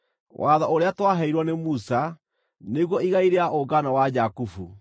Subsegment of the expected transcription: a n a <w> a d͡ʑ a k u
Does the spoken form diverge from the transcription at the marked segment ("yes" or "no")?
no